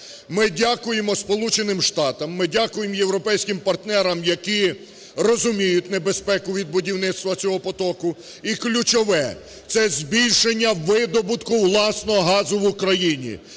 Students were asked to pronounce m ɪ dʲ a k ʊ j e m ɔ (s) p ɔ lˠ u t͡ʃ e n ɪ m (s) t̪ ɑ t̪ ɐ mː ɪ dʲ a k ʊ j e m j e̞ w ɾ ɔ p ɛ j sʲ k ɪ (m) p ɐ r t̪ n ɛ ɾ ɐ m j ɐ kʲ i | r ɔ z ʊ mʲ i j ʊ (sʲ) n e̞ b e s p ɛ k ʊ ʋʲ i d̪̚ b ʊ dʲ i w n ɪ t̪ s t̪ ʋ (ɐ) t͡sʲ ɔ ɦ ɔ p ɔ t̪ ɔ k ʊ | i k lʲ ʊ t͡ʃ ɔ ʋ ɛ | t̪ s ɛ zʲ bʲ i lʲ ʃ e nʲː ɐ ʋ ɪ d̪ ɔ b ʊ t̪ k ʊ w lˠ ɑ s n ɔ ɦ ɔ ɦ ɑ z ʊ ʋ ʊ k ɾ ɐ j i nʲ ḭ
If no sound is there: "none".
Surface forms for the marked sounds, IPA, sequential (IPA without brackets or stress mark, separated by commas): s, ʃ, m, tʲ, ɐ